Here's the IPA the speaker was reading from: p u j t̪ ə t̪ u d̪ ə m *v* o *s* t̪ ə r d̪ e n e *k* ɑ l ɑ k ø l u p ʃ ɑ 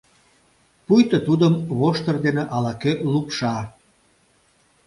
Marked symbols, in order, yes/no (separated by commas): no, no, no